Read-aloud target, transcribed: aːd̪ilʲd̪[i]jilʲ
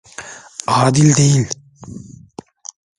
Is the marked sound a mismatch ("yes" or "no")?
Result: yes